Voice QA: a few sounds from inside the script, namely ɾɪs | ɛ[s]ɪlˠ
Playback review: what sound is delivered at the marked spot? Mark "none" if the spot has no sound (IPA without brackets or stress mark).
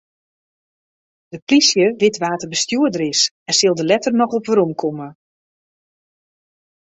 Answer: s